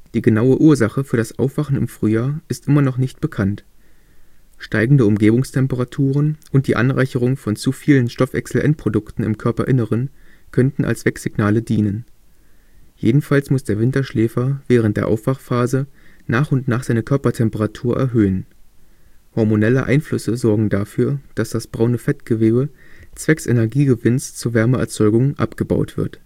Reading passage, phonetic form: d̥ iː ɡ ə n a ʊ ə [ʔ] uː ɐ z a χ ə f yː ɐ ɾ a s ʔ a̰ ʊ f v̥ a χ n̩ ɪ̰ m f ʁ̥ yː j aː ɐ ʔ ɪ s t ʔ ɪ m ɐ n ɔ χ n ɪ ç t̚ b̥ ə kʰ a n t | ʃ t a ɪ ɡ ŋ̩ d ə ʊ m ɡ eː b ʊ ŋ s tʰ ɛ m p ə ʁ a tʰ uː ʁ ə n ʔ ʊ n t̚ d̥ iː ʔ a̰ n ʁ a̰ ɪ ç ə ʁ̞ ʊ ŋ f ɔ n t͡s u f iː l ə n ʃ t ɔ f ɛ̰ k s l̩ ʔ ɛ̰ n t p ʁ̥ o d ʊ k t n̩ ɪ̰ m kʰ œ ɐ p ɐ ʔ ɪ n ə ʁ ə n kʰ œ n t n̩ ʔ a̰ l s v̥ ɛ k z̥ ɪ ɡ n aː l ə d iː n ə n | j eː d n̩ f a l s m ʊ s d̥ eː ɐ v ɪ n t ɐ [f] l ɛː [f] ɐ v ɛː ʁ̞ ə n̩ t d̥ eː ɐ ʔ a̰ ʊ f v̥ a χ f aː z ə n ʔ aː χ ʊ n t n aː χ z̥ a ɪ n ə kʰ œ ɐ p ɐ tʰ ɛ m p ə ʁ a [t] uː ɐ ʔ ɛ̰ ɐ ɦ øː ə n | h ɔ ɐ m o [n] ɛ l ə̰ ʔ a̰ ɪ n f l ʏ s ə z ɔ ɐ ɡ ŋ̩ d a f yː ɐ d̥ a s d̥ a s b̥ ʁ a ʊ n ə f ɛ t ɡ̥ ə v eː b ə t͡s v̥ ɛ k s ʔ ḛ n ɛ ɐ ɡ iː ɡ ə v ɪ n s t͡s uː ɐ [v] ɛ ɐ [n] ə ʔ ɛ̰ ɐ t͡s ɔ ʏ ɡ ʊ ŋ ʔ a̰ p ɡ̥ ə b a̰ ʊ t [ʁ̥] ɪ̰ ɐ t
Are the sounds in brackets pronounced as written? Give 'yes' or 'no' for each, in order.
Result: yes, no, yes, no, yes, yes, no, no

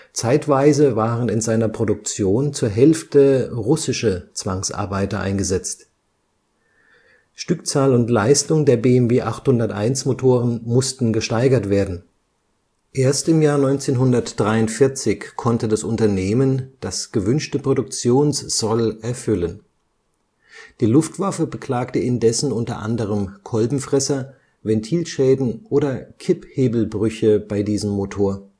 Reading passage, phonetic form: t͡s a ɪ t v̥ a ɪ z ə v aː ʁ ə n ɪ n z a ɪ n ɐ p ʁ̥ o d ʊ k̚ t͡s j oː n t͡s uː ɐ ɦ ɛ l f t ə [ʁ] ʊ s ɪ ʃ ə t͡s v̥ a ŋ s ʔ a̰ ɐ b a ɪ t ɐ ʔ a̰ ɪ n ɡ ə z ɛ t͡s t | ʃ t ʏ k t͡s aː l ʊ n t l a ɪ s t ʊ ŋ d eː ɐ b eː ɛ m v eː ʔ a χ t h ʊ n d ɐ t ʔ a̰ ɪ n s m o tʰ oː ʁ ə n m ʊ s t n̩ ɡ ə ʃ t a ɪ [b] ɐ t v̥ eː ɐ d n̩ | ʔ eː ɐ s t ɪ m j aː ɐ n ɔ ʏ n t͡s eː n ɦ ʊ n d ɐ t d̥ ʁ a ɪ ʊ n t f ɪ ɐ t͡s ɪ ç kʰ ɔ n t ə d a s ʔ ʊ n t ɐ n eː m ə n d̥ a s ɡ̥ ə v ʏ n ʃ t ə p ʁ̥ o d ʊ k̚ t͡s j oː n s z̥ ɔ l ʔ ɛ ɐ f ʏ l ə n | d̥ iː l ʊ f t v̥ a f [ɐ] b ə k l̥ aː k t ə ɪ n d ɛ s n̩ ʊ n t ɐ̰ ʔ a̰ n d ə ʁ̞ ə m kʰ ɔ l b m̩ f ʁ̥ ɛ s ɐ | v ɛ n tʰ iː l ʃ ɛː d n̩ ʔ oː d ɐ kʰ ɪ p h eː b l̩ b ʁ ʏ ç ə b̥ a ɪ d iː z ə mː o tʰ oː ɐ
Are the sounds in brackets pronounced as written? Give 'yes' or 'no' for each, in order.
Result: yes, no, no

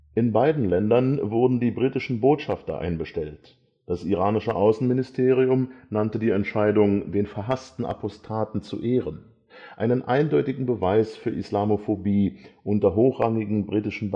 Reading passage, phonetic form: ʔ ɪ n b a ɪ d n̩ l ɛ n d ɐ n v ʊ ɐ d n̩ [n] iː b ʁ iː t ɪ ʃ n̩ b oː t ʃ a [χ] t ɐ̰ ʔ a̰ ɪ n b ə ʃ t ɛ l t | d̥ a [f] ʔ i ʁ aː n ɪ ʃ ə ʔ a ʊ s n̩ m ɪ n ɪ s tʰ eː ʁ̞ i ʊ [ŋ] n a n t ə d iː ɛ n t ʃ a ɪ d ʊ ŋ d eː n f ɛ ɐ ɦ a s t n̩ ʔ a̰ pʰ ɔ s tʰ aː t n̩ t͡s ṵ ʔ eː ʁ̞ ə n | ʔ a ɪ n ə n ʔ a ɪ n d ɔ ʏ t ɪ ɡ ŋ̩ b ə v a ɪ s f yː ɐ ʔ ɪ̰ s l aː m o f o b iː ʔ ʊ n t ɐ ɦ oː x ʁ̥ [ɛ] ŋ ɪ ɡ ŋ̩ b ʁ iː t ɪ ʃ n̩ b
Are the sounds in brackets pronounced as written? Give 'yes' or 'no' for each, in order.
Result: no, no, no, no, no

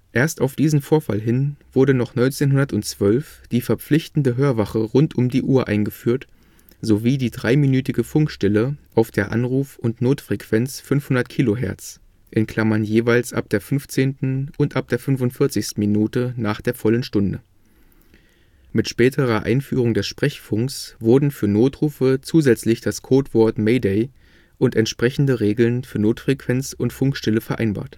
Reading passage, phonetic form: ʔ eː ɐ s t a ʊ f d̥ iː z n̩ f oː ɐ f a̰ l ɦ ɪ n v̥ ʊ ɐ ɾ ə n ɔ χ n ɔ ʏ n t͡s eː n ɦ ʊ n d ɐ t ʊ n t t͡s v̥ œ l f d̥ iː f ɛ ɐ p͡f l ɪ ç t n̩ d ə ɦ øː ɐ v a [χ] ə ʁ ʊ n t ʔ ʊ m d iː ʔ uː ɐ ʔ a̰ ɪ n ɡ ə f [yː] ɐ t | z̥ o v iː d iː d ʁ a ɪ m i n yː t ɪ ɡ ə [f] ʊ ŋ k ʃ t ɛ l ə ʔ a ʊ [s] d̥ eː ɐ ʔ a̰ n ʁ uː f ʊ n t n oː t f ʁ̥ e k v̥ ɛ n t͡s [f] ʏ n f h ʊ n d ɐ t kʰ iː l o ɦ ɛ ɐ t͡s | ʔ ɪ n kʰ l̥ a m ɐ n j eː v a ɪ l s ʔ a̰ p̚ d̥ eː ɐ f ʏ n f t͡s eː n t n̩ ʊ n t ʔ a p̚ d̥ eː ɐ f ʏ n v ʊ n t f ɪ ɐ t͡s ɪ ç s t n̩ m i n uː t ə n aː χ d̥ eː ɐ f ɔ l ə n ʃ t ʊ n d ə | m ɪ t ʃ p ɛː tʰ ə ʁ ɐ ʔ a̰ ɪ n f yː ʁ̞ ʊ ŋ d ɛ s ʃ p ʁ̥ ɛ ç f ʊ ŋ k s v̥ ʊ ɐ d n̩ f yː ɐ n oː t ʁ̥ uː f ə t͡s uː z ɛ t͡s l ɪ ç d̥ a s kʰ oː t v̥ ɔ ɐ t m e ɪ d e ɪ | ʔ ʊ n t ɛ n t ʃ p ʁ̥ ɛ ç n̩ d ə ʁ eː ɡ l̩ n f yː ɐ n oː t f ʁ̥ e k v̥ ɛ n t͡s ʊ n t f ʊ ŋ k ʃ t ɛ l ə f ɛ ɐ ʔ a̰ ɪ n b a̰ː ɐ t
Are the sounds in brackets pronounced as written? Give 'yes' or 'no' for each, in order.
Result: yes, yes, yes, no, yes

